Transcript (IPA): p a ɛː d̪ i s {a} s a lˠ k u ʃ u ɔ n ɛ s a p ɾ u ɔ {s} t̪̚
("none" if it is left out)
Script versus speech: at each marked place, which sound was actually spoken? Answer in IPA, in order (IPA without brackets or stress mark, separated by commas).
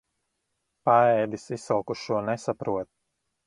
i, none